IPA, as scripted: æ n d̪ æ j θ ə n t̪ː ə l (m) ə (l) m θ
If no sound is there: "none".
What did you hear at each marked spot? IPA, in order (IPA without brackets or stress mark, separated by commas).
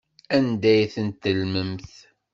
m, none